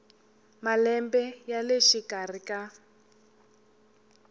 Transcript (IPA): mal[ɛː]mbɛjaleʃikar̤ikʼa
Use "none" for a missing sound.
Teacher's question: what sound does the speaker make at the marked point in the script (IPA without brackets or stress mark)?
ɛ